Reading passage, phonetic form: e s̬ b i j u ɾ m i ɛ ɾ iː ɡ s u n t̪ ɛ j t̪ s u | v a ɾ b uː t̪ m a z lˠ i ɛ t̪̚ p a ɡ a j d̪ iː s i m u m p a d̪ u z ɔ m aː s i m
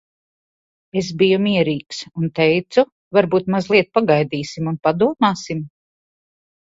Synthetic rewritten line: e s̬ b i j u m i ɛ ɾ iː k s u n t̪ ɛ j t̪ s u | v a ɾ b uː t̪ m a z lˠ i ɛ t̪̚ p a ɡ a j d̪ iː s i m u n p a d̪ u ɔ m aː s i m